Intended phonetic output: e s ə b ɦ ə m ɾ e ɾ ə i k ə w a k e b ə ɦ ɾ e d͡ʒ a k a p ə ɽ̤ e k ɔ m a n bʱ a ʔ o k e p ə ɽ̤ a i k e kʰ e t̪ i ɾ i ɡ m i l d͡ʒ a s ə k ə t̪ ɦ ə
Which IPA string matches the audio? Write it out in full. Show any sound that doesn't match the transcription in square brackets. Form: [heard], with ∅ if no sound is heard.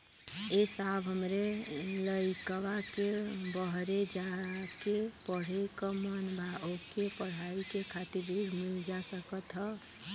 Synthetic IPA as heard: e s [a] b ɦ ə m ɾ e [l] ə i k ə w a k e b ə ɦ ɾ e d͡ʒ a k [e] p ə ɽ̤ e k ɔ m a n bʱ a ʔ o k e p ə ɽ̤ a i k e kʰ [a] t̪ i ɾ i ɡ m i l d͡ʒ a s ə k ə t̪ ɦ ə

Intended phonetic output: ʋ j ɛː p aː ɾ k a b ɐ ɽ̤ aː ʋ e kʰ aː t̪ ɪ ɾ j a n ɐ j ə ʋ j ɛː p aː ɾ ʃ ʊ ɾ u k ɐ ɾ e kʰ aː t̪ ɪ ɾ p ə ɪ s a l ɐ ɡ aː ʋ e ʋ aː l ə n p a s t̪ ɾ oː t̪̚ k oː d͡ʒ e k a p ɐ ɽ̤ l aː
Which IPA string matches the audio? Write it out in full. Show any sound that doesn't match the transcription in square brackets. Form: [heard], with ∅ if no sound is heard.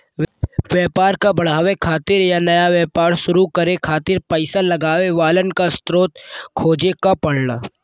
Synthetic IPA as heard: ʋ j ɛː p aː ɾ k a b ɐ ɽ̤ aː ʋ e kʰ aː t̪ ɪ ɾ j a n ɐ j [a] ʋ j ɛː p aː ɾ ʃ ʊ ɾ u k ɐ ɾ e kʰ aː t̪ ɪ ɾ p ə ɪ s a l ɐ ɡ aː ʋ e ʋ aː l ə n [k] a s t̪ ɾ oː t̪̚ [kʰ] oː d͡ʒ e k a p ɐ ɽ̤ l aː

